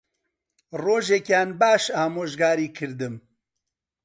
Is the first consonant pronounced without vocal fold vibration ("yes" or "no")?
no